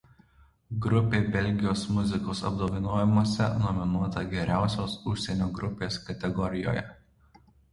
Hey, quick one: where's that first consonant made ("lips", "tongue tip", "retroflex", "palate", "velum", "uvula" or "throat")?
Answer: velum